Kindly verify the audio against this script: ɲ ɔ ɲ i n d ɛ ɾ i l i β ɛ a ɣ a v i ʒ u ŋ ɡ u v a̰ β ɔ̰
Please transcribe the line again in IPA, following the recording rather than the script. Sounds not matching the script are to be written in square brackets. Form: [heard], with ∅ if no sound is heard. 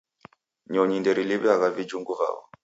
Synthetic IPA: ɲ ɔ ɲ i n d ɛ ɾ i l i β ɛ a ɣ a v i [d͡ʒ] u ŋ ɡ u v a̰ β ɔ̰